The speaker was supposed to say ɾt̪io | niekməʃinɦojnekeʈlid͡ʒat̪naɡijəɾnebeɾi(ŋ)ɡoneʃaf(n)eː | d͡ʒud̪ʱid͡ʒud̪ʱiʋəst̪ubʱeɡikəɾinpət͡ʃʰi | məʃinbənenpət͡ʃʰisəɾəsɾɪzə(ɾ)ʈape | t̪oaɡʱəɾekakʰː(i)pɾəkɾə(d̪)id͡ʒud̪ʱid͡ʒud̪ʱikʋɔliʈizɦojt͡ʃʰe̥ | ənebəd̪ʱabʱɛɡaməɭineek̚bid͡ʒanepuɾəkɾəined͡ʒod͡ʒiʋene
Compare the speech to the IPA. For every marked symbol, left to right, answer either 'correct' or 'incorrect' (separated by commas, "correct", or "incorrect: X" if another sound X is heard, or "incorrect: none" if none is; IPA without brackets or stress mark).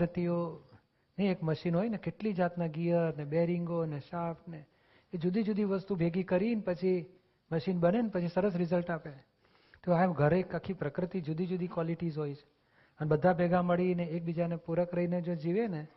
correct, correct, incorrect: l, correct, incorrect: t̪